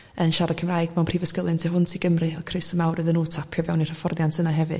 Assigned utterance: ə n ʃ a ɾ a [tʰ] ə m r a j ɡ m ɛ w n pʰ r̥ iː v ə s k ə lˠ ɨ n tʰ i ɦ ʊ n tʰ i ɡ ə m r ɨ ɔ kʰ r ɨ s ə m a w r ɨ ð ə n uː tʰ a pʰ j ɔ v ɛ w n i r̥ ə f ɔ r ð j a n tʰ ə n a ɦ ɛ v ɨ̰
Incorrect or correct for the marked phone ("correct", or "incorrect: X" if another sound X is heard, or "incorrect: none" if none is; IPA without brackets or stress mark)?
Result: incorrect: kʰ